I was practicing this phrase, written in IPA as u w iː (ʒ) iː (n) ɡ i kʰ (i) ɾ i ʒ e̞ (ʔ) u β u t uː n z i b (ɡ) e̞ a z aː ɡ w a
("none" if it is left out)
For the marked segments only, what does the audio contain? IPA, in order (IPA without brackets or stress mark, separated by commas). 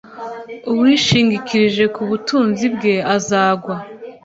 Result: ʃ, ŋ, i, k, ɡ